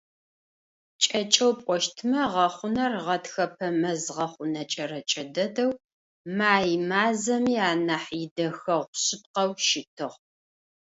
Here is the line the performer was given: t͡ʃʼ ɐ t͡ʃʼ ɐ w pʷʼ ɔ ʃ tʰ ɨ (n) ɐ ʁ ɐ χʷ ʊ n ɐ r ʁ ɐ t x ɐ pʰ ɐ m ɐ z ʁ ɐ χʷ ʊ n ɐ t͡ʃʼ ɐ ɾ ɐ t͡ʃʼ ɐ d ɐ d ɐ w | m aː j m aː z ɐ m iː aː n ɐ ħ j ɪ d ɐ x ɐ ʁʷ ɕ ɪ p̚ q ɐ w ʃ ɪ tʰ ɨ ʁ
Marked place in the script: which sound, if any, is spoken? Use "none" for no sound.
m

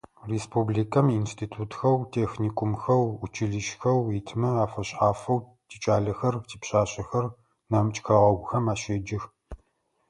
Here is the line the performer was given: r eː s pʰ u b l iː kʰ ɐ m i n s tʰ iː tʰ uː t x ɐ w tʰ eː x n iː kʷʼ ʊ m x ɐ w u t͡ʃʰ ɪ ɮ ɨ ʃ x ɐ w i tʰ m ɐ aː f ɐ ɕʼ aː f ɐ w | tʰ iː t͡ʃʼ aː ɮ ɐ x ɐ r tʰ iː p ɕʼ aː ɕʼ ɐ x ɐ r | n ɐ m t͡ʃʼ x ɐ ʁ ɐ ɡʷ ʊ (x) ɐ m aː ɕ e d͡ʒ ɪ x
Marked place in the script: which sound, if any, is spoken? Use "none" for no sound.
x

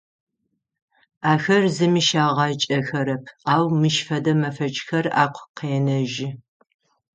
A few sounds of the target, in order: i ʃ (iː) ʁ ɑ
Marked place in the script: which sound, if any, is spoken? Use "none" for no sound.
aː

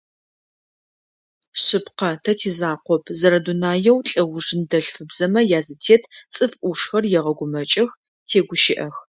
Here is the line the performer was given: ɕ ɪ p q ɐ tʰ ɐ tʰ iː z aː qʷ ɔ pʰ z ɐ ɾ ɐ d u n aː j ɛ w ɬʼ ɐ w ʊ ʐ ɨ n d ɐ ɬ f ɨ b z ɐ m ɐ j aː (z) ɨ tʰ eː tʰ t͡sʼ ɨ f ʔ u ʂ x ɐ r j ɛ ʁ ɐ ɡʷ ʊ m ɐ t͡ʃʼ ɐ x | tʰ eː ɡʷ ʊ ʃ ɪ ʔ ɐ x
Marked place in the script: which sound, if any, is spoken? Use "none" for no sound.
z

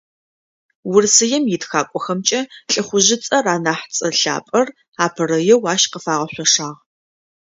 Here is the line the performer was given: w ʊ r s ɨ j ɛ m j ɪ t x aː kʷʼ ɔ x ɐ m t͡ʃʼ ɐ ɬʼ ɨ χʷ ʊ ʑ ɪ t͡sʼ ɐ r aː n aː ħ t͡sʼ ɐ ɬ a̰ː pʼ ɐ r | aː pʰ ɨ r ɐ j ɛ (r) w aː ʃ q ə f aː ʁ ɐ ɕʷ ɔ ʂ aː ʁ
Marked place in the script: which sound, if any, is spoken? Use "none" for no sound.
none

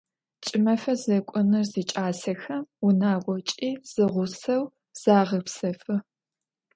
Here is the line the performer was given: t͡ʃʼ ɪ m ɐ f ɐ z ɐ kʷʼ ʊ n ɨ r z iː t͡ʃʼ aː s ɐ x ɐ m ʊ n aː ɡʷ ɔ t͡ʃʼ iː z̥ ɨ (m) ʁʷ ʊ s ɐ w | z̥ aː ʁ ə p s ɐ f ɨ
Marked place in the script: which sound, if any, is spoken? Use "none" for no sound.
none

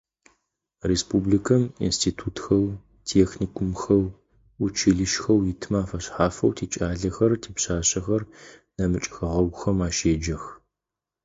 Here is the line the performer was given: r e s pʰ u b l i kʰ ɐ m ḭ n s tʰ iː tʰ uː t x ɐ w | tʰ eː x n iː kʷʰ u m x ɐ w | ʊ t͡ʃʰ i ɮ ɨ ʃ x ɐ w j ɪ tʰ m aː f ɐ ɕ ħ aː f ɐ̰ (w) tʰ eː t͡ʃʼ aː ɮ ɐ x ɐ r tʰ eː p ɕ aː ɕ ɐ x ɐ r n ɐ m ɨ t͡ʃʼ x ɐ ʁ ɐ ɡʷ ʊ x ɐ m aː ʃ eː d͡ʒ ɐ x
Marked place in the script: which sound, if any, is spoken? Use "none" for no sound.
w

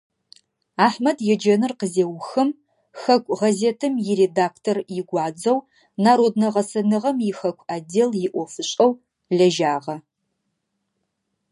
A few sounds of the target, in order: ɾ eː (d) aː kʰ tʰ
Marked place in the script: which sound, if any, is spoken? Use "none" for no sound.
d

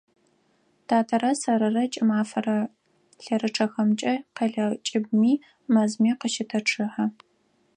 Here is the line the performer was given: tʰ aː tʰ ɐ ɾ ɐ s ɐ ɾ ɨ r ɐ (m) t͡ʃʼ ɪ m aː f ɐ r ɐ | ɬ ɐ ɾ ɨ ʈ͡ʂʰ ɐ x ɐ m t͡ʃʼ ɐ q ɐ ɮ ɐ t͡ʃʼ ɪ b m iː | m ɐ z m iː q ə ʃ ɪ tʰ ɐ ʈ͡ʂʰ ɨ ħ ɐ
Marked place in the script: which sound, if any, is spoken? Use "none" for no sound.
none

